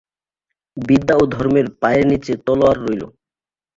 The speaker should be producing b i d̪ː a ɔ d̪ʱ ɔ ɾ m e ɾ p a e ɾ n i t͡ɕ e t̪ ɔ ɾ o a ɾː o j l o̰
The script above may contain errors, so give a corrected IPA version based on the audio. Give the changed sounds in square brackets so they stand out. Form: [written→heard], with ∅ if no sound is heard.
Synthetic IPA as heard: b i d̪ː a [ɔ→o] d̪ʱ ɔ ɾ m e ɾ p a e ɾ n i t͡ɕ e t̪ ɔ [ɾ→l] o a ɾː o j l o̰